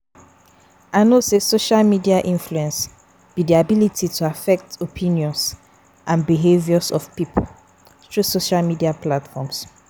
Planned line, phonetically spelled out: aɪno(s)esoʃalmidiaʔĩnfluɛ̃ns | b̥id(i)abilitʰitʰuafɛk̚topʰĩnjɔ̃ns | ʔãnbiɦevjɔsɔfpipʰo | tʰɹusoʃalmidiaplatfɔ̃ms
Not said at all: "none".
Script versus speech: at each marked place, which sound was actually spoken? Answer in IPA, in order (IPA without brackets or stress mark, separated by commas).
s, i